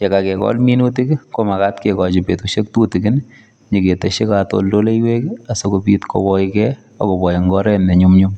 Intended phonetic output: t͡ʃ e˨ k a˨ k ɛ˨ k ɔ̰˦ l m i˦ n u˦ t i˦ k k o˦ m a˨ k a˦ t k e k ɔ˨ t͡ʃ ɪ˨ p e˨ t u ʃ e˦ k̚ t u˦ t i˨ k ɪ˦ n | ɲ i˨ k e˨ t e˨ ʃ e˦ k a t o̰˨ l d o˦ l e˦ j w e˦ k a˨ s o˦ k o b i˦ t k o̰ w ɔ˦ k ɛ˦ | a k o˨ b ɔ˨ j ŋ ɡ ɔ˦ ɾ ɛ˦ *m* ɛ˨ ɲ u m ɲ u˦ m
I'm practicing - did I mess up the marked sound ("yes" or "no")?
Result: yes